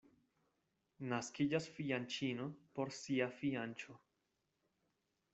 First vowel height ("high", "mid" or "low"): low